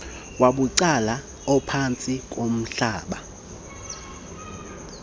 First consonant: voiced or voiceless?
voiced